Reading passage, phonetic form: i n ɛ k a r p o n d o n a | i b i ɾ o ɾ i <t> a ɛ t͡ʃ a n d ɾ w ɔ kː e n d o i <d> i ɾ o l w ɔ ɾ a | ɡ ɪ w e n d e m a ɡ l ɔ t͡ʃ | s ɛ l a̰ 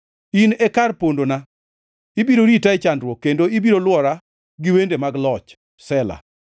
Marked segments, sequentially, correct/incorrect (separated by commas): correct, incorrect